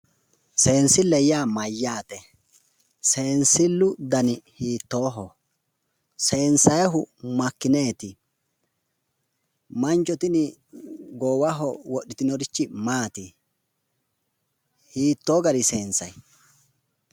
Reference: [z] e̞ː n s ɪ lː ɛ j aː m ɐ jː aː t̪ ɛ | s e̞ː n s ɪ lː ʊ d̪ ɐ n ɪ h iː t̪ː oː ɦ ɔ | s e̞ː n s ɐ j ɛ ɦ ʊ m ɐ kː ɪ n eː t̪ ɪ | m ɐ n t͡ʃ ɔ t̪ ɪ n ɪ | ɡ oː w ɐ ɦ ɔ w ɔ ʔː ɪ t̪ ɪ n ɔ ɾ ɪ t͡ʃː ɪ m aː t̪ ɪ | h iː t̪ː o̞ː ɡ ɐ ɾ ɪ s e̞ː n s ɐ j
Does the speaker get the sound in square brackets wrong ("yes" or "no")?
yes